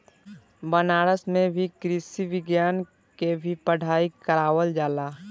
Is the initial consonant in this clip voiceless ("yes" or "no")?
no